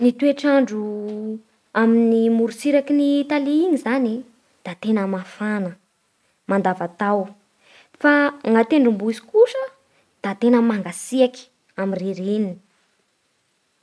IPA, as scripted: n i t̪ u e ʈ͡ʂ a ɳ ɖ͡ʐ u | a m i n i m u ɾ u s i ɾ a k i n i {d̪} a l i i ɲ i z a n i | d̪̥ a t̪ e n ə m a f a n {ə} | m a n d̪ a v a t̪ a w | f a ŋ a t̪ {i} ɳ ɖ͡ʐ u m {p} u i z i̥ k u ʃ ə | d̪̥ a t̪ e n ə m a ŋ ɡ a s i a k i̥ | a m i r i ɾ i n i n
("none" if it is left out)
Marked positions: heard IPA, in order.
t̪, ə, e, b

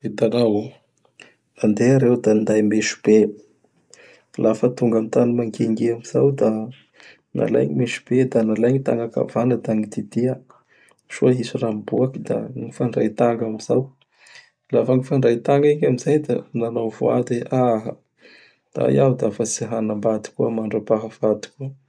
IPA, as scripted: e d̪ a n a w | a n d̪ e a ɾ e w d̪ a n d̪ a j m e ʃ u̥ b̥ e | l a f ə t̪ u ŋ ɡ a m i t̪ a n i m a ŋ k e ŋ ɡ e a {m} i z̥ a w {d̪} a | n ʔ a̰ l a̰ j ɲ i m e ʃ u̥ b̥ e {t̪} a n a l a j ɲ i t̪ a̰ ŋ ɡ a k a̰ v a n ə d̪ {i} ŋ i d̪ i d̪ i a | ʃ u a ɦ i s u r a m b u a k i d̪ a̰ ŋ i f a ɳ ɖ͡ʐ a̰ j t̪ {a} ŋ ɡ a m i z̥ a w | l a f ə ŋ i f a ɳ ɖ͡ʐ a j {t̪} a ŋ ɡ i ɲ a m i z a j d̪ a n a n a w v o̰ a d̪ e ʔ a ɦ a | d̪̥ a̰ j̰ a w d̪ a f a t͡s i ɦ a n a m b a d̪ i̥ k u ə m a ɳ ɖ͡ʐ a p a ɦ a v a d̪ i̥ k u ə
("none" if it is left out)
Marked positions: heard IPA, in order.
m, d̪, d̪, a, a, t̪

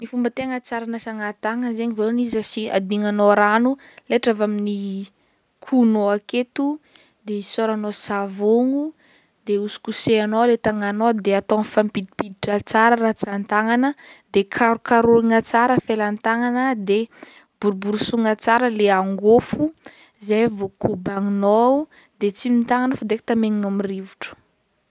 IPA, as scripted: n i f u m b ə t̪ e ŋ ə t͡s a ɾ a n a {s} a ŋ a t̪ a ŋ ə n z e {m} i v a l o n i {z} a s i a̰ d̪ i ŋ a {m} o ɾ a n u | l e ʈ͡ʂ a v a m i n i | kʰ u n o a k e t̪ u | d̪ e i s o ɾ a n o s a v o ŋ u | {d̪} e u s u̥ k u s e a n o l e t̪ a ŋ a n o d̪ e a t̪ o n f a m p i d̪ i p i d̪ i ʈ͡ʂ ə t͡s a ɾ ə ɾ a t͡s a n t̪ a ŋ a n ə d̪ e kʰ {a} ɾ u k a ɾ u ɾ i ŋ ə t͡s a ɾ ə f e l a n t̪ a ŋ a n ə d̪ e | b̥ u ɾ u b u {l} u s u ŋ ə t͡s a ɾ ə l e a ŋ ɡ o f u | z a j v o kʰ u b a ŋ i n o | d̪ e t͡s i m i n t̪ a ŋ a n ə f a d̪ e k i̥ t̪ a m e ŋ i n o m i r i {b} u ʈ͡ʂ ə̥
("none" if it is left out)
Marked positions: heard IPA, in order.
s, ɲ, z, n, d̪, a, ɾ, v

